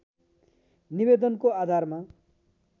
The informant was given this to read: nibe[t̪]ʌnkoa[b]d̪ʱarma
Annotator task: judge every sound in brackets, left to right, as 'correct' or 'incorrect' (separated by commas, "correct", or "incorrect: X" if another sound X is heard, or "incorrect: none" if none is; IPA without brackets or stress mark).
incorrect: d̪, incorrect: none